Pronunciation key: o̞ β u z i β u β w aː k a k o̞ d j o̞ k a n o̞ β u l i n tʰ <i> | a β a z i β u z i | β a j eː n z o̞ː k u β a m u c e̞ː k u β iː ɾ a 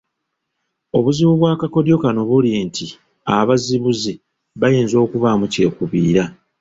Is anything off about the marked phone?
no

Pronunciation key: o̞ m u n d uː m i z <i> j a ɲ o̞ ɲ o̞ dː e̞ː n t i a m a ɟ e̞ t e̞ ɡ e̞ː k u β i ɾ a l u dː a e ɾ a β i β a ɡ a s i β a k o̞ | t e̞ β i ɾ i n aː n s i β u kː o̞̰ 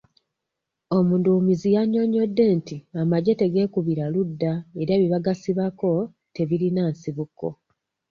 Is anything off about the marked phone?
no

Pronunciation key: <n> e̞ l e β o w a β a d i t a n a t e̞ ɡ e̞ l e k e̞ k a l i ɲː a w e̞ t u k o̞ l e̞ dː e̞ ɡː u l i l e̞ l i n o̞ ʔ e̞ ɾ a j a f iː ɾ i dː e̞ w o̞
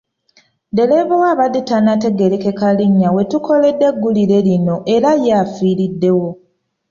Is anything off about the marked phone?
yes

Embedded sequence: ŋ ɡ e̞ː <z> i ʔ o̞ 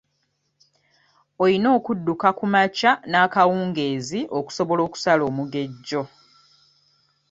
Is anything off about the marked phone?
no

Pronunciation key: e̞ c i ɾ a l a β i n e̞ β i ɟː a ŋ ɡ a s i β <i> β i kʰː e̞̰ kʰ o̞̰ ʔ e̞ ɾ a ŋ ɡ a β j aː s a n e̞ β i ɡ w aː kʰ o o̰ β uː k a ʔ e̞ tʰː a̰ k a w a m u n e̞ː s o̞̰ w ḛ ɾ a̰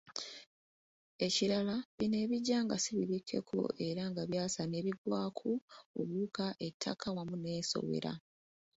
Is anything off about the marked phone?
no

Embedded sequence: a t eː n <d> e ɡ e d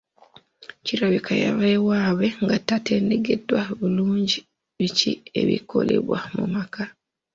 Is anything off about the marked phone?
no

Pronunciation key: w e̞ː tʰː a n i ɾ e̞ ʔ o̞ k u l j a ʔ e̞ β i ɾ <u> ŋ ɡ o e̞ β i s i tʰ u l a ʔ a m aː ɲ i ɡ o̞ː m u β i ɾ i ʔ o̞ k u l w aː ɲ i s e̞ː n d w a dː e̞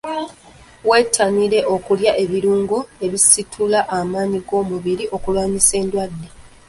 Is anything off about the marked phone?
yes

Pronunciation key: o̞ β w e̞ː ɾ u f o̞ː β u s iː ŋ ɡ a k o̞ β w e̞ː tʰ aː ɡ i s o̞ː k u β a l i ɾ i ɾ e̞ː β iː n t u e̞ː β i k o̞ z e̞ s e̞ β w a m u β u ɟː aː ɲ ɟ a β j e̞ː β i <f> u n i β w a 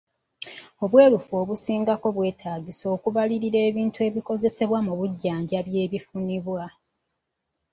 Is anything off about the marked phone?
no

